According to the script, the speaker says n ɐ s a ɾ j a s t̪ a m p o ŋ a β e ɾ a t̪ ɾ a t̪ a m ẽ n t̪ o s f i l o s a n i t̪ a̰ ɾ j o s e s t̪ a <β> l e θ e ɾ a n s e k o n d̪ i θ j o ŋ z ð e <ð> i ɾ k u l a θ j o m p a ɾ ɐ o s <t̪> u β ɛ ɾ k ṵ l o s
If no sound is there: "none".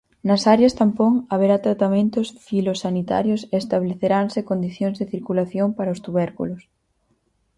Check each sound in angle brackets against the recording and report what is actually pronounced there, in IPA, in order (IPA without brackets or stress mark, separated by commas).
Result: β, θ, t̪